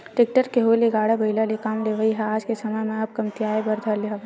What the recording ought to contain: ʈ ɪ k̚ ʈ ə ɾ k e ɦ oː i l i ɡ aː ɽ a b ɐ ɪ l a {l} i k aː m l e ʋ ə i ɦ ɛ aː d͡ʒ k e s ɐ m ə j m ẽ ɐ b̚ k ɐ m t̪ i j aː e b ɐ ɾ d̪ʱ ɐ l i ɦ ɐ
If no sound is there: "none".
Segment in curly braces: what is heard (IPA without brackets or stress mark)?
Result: l